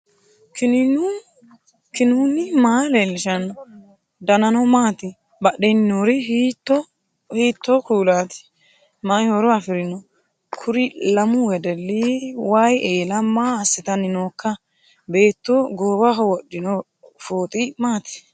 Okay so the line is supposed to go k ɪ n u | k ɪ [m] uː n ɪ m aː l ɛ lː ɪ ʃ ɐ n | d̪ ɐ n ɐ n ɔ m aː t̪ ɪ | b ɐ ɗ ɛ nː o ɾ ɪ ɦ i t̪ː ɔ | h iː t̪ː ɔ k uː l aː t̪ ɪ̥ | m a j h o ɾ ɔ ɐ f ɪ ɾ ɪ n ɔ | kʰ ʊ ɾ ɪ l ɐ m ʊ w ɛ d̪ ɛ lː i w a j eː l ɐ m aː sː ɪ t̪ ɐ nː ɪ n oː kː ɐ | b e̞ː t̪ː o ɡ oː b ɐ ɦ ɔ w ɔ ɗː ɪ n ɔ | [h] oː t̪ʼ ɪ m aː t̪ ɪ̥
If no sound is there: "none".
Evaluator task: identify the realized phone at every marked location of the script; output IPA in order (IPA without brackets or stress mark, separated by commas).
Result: n, f